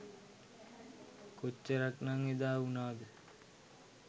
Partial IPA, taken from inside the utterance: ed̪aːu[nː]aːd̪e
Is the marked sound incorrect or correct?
incorrect